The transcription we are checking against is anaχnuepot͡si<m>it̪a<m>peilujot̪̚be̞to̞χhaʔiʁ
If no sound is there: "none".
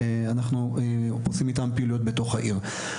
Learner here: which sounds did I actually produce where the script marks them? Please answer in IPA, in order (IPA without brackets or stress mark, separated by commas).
m, m